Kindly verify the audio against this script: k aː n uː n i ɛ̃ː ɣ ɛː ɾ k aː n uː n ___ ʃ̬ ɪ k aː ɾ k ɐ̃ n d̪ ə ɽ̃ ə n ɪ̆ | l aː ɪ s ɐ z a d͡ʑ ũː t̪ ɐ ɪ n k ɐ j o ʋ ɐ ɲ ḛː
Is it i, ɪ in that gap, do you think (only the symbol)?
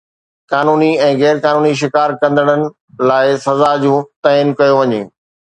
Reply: i